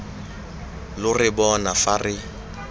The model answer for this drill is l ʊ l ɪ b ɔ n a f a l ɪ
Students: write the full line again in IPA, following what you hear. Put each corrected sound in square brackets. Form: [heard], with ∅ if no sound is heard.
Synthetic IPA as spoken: l ʊ [r] ɪ b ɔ n a f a [r] ɪ